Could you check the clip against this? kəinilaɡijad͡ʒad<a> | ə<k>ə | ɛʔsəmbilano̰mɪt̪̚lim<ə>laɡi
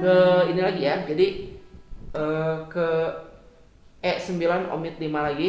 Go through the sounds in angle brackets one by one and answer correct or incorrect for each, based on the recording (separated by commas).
incorrect, correct, incorrect